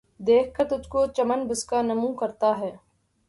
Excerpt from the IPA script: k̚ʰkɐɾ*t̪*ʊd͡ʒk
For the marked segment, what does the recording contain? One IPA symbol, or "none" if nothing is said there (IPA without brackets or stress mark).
t̪